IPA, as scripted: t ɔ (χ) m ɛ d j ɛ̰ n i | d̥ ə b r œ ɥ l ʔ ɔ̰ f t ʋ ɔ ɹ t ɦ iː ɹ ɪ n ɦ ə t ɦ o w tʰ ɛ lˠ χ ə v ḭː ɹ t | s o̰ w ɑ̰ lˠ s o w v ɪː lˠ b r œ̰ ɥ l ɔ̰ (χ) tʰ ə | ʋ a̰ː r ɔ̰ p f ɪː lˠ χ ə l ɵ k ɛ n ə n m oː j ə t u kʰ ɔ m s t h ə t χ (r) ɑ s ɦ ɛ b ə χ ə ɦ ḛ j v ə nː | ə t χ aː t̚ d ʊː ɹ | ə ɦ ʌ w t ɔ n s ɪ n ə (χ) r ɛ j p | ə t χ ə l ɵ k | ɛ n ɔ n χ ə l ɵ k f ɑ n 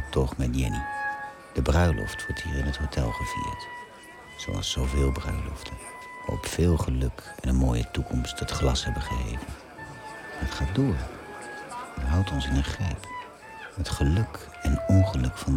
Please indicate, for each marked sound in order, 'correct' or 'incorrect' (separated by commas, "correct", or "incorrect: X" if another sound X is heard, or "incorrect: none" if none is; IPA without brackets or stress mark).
correct, incorrect: f, incorrect: l, correct